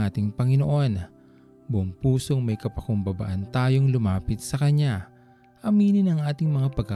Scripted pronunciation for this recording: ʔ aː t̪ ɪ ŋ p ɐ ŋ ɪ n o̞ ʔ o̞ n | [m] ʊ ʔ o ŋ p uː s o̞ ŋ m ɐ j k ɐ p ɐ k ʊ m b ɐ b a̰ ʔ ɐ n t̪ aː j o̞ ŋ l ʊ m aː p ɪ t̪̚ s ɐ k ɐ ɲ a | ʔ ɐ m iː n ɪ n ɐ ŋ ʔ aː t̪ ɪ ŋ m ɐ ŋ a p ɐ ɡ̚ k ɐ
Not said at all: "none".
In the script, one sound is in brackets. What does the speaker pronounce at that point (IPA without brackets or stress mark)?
b